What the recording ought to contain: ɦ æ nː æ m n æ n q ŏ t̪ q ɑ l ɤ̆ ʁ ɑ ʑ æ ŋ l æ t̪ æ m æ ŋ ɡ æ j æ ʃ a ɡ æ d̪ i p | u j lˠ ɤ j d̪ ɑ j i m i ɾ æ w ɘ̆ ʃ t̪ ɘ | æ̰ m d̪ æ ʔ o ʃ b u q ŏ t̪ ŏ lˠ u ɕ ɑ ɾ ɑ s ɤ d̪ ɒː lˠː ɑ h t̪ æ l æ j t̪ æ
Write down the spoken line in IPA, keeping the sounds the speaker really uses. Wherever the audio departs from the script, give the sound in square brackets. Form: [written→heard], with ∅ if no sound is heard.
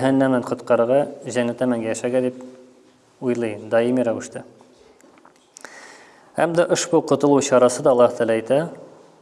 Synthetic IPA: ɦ æ nː æ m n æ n q ŏ t̪ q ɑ [l→ɾ] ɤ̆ ʁ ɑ ʑ æ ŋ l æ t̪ æ m æ ŋ ɡ æ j æ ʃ [a→æ] ɡ æ d̪ i p | u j lˠ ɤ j d̪ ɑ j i m i ɾ æ w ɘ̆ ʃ t̪ ɘ | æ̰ m d̪ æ ʔ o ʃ b u q ŏ t̪ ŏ lˠ u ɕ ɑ ɾ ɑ s ɤ d̪ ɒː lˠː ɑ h t̪ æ l æ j t̪ æ